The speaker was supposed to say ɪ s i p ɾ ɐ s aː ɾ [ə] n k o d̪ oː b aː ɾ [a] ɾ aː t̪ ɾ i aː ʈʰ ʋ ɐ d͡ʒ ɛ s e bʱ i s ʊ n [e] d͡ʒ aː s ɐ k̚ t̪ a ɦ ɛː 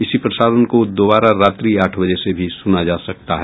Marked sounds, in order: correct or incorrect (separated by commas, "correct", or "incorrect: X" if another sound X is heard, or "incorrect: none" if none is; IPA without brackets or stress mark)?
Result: correct, correct, incorrect: a